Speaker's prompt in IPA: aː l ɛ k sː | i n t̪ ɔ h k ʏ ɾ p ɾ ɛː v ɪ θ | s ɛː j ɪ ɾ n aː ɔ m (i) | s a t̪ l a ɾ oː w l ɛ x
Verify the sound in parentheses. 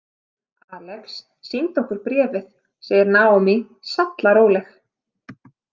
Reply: correct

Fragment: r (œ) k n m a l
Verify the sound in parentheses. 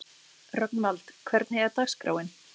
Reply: correct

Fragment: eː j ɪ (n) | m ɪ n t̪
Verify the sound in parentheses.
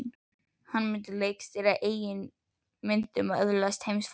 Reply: correct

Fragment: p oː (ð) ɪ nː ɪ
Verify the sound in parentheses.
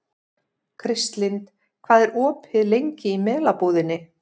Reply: correct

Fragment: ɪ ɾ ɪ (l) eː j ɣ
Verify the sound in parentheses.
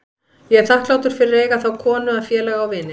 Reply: incorrect: ɾ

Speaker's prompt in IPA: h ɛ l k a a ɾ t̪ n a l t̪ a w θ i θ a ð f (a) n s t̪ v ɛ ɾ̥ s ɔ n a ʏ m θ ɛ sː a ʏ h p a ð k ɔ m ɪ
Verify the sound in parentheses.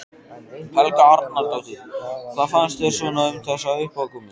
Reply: correct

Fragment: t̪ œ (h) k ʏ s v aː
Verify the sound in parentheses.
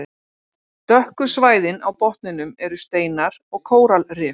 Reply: correct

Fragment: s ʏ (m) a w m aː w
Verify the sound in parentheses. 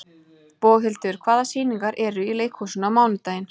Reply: incorrect: n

